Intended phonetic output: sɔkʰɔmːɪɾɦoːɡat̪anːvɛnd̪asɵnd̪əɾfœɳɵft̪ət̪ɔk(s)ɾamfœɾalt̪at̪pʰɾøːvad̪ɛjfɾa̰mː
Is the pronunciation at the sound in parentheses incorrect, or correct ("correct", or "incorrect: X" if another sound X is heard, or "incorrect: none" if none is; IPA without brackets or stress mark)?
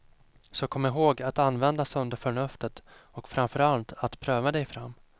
incorrect: f